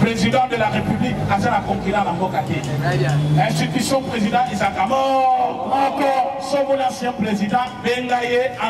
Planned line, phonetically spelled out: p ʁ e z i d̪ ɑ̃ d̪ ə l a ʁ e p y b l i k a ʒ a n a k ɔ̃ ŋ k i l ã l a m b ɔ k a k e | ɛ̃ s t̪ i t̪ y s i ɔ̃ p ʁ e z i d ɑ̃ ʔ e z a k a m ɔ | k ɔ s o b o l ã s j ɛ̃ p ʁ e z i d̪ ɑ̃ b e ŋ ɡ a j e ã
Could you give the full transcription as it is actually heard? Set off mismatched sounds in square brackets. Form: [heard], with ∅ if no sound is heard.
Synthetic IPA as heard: p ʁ e z i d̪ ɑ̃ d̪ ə l a ʁ e p y b l i k a [z] a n a k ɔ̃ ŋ k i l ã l a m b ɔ k a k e | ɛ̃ s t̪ i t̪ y s [j] ɔ̃ p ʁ e z i d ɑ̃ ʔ e z a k a m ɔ | k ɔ s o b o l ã s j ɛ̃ p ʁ e z i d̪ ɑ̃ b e ŋ ɡ a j e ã

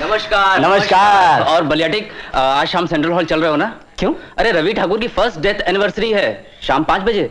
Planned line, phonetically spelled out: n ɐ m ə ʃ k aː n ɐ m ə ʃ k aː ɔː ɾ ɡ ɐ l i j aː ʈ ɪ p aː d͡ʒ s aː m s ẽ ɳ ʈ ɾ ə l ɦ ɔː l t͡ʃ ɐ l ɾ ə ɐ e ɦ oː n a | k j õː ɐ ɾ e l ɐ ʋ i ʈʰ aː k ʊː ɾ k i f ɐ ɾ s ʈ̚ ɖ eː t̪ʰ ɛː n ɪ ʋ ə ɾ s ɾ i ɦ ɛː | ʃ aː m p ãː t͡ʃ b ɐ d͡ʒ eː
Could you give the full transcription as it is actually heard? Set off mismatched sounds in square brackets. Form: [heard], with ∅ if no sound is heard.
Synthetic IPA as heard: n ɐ m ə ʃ k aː n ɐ m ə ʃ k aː ɔː ɾ [b] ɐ l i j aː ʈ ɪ [k] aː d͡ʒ [ʃ] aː m s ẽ ɳ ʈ ɾ ə l ɦ ɔː l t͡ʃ ɐ l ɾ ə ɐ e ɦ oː n a | k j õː ɐ ɾ e [ɾ] ɐ ʋ i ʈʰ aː k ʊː ɾ k i f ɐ ɾ s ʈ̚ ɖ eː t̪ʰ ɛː n ɪ ʋ ə ɾ s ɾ i ɦ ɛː | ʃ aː m p ãː t͡ʃ b ɐ d͡ʒ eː

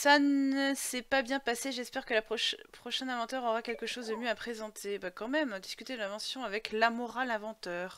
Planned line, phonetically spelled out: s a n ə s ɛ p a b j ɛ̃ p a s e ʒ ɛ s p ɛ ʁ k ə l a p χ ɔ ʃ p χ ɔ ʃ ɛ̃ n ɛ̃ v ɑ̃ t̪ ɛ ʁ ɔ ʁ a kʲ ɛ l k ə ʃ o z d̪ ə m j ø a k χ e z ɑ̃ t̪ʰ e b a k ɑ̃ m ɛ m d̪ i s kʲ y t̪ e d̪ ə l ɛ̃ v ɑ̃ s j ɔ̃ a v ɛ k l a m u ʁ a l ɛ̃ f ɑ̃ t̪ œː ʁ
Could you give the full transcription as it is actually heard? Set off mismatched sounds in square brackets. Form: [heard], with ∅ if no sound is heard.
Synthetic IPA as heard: s a n ə s ɛ p a b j ɛ̃ p a s e ʒ ɛ s p ɛ ʁ k ə l a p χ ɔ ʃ p χ ɔ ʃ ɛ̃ n ɛ̃ v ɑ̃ t̪ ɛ ʁ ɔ ʁ a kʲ ɛ l k ə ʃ o z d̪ ə m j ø a [p] χ e z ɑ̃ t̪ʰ e b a k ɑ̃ m ɛ m d̪ i s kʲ y t̪ e d̪ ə l ɛ̃ v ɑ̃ s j ɔ̃ a v ɛ k l a m [ɔ] ʁ a l ɛ̃ [v] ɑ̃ t̪ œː ʁ

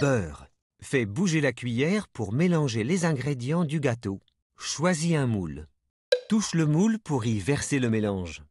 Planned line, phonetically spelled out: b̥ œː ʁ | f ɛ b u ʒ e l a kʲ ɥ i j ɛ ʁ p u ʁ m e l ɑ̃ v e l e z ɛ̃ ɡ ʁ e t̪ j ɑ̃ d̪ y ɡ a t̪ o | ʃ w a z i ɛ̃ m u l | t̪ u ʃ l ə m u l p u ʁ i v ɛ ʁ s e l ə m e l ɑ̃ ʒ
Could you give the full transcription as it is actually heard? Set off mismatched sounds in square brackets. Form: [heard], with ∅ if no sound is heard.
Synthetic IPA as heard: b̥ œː ʁ | f ɛ b u ʒ e l a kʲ ɥ i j ɛ ʁ p u ʁ m e l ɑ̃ [ʒ] e l e z ɛ̃ ɡ ʁ e [d̪] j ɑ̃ d̪ y ɡ a t̪ o | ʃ w a z i ɛ̃ m u l | t̪ u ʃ l ə m u l p u ʁ i v ɛ ʁ s e l ə m e l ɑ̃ ʒ

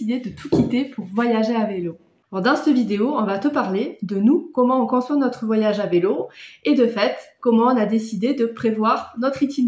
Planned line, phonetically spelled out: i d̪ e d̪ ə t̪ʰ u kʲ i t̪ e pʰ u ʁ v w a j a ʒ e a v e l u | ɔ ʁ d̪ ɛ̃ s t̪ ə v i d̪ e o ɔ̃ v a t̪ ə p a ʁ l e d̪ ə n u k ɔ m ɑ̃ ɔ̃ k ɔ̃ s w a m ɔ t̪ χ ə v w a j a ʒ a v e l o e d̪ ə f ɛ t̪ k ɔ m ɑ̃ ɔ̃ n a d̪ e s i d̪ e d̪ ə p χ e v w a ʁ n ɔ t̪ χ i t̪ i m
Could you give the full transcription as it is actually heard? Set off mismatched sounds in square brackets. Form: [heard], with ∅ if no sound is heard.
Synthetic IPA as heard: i d̪ e d̪ ə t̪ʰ u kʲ i t̪ e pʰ u ʁ v w a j a ʒ e a v e l [o] | ɔ ʁ d̪ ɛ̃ s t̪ ə v i d̪ e o ɔ̃ v a t̪ ə p a ʁ l e d̪ ə n u k ɔ m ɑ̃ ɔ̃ k ɔ̃ s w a [n] ɔ t̪ χ ə v w a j a ʒ a v e l o e d̪ ə f ɛ t̪ k ɔ m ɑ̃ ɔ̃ n a d̪ e s i d̪ e d̪ ə p χ e v w a ʁ n ɔ t̪ χ i t̪ i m

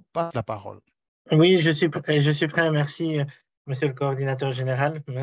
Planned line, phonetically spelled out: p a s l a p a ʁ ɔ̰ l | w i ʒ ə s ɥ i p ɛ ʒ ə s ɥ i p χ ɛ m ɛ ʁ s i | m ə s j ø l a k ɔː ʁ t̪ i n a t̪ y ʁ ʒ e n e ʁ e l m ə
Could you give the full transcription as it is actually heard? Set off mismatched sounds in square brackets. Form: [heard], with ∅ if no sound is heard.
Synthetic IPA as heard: p a s l a p a ʁ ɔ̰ l | w i ʒ ə s ɥ i p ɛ ʒ ə s ɥ i p χ ɛ m ɛ ʁ s i | m ə s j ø l [ə] k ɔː ʁ [d̪] i n a t̪ [œ] ʁ ʒ e n e ʁ [a] l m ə

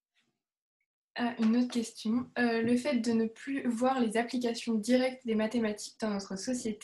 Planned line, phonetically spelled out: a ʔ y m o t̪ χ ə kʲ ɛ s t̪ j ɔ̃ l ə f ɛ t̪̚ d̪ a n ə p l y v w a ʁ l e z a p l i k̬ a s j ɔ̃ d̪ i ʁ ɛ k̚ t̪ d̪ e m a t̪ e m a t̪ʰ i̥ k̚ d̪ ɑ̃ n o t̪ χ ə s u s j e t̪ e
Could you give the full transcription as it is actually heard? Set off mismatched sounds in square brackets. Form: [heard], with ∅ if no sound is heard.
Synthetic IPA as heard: a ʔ y [n] o t̪ χ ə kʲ ɛ s t̪ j ɔ̃ l ə f ɛ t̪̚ d̪ [ə] n ə p l y v w a ʁ l e z a p l i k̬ a s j ɔ̃ d̪ i ʁ ɛ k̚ t̪ d̪ e m a t̪ e m a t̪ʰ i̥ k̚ d̪ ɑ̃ n [ɔ] t̪ χ ə s [ɔ] s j e t̪ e

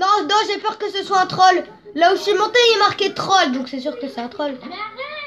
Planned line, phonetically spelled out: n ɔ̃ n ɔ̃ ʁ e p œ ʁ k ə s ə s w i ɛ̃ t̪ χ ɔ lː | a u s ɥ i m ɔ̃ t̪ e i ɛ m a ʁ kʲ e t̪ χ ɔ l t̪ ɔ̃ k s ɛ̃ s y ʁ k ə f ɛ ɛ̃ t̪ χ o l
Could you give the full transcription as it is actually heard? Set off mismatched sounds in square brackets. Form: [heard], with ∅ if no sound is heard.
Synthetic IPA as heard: n ɔ̃ n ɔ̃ [ʒ] e p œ ʁ k ə s ə s w [a] ɛ̃ t̪ χ ɔ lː | a u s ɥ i m ɔ̃ t̪ e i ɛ m a ʁ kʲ e t̪ χ ɔ l [d̪] ɔ̃ k s [ɛ] s y ʁ k ə [s] ɛ ɛ̃ t̪ χ [ɔ] l

